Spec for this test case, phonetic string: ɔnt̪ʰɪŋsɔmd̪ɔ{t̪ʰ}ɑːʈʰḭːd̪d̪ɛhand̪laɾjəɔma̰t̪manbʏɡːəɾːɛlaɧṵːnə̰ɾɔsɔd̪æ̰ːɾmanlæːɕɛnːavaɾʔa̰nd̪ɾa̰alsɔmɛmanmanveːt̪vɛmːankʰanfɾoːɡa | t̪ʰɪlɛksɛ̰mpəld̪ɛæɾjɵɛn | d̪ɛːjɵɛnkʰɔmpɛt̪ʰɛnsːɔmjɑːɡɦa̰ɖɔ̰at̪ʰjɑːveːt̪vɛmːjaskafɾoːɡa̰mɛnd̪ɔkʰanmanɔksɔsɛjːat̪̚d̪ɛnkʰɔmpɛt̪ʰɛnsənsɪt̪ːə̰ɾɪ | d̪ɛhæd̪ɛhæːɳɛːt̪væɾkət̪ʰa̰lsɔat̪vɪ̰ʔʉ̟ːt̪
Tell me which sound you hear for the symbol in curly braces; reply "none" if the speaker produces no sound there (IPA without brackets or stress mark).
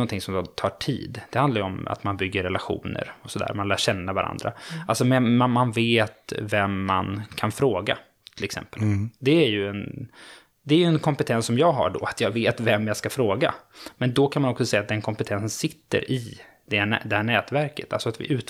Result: t̪ʰ